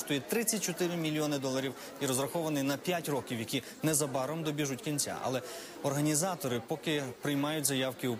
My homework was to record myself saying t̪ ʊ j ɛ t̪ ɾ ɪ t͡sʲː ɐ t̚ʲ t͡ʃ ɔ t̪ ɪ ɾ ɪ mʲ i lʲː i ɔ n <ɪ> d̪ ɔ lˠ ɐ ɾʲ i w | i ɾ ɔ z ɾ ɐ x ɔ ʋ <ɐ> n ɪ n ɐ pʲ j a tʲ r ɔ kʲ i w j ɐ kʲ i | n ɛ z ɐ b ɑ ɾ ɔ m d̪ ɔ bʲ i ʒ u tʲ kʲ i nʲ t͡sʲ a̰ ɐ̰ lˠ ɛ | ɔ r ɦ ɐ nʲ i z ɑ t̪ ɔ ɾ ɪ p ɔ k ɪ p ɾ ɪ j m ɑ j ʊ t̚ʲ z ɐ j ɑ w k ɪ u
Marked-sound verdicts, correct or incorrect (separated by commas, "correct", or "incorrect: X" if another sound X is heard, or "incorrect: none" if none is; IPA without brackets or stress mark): correct, correct